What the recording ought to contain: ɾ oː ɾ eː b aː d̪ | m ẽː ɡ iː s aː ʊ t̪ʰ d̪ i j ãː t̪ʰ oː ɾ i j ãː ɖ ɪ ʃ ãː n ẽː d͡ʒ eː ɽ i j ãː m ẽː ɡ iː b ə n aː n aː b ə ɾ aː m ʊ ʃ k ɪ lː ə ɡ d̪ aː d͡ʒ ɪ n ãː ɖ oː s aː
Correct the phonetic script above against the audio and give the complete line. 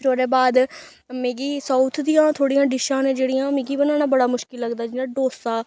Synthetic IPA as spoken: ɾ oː ɾ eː b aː d̪ | m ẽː ɡ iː s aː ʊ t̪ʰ d̪ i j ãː t̪ʰ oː ɽ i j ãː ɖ ɪ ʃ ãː n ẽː d͡ʒ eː ɽ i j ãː m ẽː ɡ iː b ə n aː n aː b ə ɽ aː m ʊ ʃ k ɪ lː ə ɡ d̪ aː d͡ʒ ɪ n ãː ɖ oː s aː